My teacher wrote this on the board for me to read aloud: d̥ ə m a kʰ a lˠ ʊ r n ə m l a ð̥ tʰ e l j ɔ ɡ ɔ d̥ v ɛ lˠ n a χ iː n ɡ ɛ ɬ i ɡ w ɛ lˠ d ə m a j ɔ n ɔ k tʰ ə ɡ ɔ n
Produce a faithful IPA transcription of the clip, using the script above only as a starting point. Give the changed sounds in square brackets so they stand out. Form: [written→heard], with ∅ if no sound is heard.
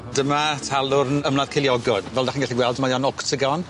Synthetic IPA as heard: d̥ ə m a [kʰ→tʰ] a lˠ ʊ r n ə m l a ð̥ [tʰ→kʰ] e l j ɔ ɡ ɔ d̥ v ɛ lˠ [n→d] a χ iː n ɡ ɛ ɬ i ɡ w ɛ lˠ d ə m a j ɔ n ɔ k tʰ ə ɡ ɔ n

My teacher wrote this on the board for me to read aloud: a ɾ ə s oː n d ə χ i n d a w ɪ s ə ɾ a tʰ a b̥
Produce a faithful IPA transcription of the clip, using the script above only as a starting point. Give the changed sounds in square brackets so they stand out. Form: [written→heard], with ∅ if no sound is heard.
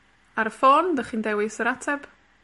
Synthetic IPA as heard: a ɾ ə [s→f] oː n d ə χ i n d [a→ɛ] w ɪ s ə ɾ a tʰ [a→ɛ] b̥

